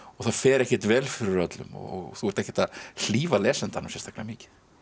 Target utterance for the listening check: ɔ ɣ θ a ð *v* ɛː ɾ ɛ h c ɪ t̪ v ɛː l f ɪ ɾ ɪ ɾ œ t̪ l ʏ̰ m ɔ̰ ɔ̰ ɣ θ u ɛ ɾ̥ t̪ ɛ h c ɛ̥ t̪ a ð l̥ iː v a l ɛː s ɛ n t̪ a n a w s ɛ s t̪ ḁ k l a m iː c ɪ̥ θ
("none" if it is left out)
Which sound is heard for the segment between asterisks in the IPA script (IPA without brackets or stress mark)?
f